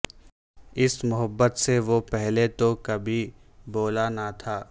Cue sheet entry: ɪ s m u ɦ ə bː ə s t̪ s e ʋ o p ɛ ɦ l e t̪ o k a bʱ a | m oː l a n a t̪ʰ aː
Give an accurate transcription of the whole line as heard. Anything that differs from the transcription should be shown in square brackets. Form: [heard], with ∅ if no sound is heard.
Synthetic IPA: ɪ s m [ʊ] ɦ ə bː ə [∅] t̪ s e ʋ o p ɛ ɦ l e t̪ o k [ɐ] bʱ [i] | [b] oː l a n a t̪ʰ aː